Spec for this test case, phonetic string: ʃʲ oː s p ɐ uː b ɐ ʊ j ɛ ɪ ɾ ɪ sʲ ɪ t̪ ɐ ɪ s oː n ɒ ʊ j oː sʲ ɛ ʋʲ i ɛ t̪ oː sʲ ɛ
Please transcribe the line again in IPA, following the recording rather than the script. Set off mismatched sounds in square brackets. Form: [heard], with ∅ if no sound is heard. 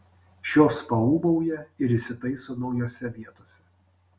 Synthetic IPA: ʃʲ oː s p ɐ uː b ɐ ʊ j ɛ ɪ ɾ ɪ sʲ ɪ t̪ ɐ ɪ s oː n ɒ ʊ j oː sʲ ɛ ʋʲ i ɛ t̪ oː sʲ ɛ